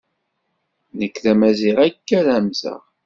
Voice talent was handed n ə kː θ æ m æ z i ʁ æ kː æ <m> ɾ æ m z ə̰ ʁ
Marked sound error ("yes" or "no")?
yes